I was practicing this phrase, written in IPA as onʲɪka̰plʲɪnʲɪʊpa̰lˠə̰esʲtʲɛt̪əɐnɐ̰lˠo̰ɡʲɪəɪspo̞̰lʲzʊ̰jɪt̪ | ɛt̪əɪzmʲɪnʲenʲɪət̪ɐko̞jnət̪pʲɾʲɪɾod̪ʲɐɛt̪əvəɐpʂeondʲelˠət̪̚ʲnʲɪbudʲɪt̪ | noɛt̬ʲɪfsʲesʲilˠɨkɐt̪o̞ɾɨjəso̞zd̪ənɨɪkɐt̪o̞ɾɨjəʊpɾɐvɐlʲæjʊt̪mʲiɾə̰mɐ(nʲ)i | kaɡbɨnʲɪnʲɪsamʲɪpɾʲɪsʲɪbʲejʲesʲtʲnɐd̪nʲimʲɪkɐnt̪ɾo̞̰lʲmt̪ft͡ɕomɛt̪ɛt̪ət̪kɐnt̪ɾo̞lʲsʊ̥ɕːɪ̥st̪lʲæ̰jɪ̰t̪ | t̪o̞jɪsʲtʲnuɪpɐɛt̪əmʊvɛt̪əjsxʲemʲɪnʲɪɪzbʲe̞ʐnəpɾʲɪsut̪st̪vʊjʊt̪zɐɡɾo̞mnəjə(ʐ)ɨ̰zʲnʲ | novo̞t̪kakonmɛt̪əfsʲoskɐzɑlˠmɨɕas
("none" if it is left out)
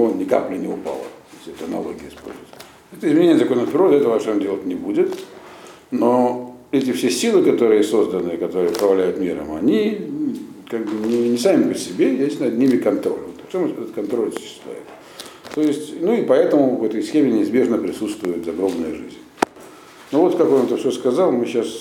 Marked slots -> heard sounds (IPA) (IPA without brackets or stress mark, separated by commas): nʲ, ʐ